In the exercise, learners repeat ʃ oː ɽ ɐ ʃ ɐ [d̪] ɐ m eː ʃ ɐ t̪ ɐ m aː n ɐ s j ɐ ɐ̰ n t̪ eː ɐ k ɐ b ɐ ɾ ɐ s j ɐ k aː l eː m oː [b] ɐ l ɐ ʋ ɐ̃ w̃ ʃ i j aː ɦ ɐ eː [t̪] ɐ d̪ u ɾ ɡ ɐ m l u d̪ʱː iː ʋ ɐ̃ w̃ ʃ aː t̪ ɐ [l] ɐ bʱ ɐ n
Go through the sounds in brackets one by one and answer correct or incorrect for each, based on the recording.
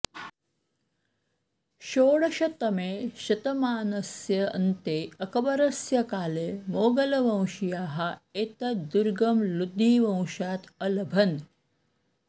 incorrect: t̪, incorrect: ɡ, correct, correct

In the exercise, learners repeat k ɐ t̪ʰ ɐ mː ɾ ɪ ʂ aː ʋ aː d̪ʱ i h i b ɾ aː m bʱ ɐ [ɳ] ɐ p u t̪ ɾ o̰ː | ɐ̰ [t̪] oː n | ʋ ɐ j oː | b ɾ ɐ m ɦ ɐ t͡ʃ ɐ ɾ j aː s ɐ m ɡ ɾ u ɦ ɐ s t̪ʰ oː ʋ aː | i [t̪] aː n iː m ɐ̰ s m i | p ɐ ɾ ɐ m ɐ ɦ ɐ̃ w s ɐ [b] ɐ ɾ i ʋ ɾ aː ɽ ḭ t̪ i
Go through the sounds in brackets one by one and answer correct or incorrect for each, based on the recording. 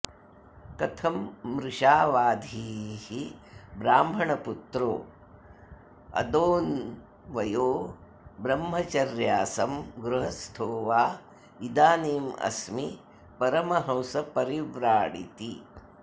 correct, incorrect: d̪, incorrect: d̪, incorrect: p

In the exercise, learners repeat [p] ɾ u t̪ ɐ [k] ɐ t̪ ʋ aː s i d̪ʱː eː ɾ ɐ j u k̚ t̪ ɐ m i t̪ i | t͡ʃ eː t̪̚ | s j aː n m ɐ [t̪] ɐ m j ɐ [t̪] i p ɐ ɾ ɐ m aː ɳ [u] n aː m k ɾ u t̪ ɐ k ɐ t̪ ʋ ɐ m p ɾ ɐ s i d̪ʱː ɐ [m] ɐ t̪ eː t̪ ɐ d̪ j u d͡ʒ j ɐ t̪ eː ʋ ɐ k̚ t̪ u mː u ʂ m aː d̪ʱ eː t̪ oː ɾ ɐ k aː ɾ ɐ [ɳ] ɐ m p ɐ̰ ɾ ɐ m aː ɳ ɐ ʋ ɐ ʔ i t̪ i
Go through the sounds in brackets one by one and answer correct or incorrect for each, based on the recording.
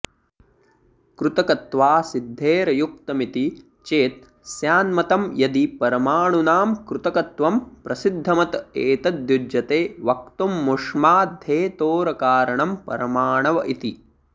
incorrect: k, correct, correct, incorrect: d̪, correct, correct, correct

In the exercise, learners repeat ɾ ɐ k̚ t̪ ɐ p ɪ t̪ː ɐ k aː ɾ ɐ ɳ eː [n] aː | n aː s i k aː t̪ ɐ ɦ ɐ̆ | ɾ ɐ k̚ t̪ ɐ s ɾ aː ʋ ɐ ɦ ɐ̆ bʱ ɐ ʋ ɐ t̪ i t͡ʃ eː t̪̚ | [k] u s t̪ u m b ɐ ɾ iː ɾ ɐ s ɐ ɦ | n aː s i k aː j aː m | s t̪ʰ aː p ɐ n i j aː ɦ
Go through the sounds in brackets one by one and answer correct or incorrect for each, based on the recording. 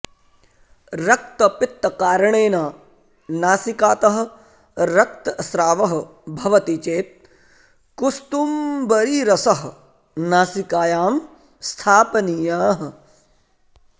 correct, correct

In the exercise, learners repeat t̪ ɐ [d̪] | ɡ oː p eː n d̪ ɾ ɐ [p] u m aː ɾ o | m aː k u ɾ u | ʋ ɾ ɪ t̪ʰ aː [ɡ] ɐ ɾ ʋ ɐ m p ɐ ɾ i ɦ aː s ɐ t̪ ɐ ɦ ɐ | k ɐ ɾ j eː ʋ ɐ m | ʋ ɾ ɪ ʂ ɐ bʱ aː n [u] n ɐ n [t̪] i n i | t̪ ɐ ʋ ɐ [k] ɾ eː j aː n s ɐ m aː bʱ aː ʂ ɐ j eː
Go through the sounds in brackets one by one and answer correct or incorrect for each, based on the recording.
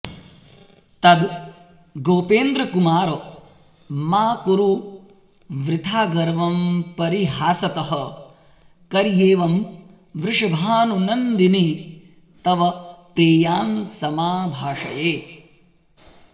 correct, incorrect: k, correct, correct, incorrect: d̪, incorrect: p

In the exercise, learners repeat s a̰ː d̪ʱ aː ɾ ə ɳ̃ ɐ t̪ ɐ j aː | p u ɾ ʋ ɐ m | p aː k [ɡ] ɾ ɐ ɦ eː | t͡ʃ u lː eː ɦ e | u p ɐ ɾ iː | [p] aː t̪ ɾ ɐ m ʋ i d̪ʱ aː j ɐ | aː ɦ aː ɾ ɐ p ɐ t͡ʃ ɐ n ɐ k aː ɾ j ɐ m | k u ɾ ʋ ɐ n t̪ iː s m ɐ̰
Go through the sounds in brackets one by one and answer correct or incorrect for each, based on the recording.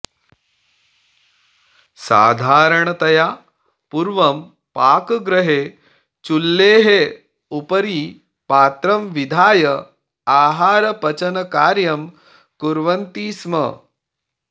correct, correct

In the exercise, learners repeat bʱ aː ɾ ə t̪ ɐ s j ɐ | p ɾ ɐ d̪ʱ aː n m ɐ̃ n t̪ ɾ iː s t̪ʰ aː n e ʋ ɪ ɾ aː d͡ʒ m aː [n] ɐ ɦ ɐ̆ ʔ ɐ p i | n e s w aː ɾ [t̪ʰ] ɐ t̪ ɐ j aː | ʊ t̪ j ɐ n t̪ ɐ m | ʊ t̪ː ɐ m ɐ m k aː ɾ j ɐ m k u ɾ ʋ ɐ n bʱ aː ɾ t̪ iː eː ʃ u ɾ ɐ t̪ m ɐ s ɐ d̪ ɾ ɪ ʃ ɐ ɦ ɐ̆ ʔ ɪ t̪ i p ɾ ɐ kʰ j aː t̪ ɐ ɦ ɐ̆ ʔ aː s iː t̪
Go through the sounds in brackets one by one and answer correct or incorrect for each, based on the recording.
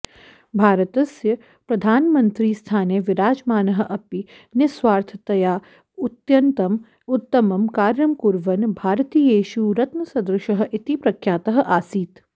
correct, correct

